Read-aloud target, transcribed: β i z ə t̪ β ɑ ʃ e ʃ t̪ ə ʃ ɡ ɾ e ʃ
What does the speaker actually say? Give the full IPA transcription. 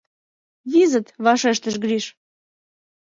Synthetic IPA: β i z ə t̪ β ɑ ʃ e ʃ t̪ ə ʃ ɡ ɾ i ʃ